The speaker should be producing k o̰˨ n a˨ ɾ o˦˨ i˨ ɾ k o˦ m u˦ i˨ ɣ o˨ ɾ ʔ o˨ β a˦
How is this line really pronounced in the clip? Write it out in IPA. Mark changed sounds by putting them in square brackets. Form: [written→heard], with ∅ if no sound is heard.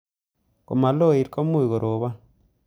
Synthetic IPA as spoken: k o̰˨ [n→m] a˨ [ɾ→l] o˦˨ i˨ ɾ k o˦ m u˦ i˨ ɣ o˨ ɾ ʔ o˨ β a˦